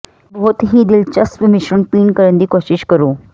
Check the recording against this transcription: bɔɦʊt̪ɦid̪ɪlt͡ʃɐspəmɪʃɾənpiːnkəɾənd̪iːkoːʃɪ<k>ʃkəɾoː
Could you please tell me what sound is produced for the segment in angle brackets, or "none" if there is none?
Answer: none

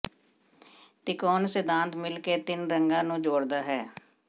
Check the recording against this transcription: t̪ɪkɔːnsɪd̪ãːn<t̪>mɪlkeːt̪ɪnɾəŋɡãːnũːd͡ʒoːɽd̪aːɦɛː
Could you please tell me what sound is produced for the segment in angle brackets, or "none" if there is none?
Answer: t̪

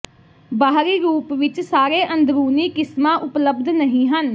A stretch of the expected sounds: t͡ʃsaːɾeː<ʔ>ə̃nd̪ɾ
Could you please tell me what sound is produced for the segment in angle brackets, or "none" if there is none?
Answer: ʔ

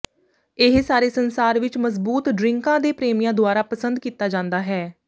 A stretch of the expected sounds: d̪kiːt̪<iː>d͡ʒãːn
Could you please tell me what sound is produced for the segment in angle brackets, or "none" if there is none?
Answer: aː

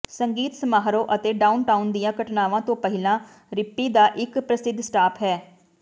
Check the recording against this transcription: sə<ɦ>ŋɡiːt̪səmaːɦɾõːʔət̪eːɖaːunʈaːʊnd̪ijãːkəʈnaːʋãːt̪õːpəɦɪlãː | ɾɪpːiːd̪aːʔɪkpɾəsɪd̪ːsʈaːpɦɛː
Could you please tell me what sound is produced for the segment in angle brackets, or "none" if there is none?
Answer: none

